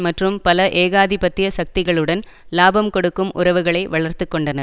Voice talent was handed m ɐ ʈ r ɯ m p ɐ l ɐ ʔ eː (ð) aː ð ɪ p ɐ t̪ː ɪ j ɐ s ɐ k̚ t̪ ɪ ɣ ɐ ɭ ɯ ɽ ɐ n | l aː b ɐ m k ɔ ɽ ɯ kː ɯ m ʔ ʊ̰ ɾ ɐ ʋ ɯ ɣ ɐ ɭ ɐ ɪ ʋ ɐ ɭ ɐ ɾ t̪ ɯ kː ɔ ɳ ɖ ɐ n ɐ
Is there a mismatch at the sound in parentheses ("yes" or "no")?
yes